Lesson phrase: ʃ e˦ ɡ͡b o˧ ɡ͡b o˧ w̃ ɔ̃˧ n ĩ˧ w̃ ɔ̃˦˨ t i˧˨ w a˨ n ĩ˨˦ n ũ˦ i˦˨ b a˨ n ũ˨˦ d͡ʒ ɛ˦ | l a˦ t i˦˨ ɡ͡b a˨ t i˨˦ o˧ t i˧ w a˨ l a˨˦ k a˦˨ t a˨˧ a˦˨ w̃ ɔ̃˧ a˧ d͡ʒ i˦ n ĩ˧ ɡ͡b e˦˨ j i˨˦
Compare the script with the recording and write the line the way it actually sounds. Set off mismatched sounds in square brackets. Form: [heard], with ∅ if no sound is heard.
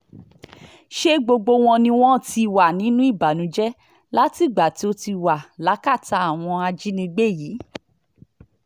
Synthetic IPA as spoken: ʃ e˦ ɡ͡b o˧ ɡ͡b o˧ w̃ ɔ̃˧ n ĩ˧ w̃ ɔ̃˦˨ t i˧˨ w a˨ n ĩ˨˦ n ũ˦ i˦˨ b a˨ n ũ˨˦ d͡ʒ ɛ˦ | l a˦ t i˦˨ ɡ͡b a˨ t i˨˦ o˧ t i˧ w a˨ l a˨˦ k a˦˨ t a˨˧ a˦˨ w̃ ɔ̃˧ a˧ d͡ʒ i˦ n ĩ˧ ɡ͡b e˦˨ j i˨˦